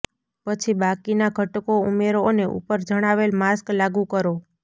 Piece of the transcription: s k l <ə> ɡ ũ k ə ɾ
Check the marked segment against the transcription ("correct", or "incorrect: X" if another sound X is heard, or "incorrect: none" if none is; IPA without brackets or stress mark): incorrect: a